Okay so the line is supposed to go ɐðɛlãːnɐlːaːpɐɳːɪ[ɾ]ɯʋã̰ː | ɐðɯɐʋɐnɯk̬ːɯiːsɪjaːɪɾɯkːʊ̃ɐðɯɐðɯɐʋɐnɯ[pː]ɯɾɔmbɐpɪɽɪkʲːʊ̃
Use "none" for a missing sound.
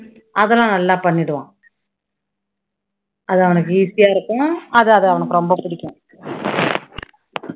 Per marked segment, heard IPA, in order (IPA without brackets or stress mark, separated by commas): ɽ, kː